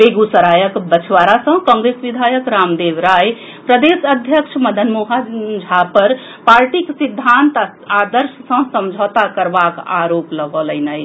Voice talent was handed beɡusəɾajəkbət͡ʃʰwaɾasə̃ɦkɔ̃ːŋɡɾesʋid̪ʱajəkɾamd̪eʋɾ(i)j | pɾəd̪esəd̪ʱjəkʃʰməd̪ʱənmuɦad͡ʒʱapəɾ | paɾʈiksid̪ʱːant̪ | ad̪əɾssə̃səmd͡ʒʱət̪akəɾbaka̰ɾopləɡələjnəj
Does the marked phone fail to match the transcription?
yes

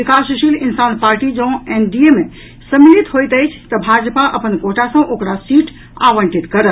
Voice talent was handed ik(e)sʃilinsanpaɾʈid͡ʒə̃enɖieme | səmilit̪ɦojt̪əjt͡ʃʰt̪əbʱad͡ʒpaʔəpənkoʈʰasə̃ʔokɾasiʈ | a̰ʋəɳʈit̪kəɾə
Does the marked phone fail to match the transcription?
yes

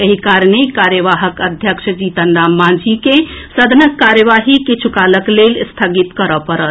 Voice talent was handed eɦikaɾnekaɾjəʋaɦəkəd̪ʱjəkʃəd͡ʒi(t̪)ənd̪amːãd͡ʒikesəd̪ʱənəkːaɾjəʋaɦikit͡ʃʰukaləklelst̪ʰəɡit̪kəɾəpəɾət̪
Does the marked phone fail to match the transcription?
no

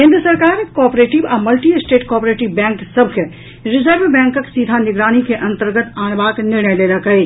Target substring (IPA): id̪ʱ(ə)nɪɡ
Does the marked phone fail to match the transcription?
yes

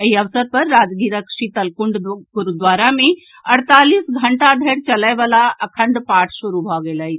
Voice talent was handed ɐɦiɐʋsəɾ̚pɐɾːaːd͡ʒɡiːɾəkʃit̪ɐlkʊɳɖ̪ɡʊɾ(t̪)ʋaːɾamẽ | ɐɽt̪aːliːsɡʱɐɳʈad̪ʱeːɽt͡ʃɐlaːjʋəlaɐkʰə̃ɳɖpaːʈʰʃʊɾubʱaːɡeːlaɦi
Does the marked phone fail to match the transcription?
yes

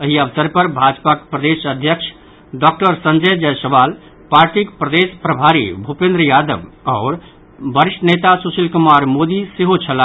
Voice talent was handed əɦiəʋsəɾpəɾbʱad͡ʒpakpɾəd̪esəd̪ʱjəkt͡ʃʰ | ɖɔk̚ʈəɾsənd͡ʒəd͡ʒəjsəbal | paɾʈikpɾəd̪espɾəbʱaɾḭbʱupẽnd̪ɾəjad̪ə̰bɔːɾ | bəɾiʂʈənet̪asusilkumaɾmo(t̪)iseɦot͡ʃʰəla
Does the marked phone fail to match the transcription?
yes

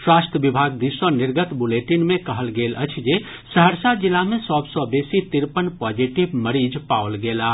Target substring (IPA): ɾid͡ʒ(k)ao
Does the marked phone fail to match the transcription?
yes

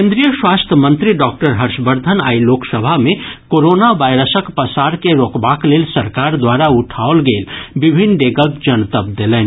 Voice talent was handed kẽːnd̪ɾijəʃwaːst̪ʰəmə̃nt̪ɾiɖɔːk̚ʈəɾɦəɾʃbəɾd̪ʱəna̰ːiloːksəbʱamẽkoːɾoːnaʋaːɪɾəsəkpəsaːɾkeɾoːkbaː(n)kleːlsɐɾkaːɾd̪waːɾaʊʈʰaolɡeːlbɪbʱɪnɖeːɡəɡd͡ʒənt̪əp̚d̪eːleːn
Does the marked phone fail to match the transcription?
yes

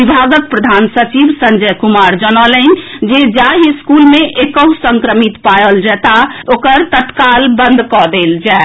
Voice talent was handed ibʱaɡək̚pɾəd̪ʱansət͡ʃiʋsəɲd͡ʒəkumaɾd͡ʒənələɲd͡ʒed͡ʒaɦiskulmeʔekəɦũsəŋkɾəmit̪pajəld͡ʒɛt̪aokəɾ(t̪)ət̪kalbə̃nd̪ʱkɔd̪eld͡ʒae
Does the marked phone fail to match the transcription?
no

